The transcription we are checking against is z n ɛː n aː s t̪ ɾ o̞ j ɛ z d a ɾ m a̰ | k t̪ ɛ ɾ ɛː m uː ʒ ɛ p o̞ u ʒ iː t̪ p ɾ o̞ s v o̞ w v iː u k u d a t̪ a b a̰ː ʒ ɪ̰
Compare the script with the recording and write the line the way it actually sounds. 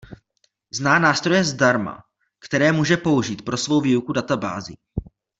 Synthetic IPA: z n aː n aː s t̪ ɾ o̞ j ɛ z d a ɾ m a̰ | k t̪ ɛ ɾ ɛː m uː ʒ ɛ p o̞ u ʒ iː t̪ p ɾ o̞ s v o̞ w v iː u k u d a t̪ a b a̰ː z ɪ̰